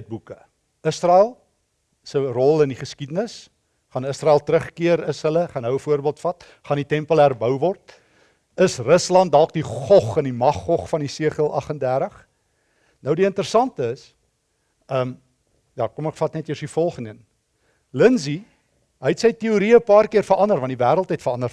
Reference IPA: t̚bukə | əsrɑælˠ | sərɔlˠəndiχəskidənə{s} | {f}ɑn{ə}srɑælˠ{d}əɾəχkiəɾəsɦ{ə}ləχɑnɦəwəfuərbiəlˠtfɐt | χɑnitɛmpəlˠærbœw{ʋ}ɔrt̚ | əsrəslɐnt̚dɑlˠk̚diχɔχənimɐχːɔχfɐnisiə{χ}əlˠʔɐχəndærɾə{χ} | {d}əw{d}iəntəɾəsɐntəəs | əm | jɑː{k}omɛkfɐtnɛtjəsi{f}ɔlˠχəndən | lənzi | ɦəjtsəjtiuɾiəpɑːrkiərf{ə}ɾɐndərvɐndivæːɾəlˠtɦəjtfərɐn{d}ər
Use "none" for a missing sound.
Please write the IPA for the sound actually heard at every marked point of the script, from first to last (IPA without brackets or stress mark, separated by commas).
s, χ, ə, t, ə, v, χ, χ, n, d, k, f, ə, d